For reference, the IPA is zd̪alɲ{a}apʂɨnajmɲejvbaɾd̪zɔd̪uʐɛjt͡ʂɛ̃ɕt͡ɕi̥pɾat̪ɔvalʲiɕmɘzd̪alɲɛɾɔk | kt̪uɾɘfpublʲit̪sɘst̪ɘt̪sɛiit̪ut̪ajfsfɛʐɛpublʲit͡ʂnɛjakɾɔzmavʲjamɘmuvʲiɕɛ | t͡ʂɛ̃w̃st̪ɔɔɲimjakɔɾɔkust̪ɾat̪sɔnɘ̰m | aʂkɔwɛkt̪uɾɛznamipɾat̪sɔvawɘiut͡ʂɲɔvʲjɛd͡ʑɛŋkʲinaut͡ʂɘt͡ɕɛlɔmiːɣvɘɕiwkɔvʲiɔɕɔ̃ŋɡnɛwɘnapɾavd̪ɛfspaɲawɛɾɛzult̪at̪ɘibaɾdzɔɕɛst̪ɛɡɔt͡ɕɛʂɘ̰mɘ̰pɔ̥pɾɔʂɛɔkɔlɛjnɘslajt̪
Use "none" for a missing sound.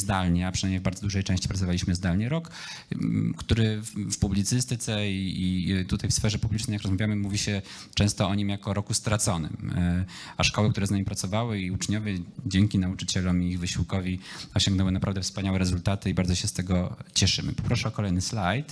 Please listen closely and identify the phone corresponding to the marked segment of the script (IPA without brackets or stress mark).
ɛ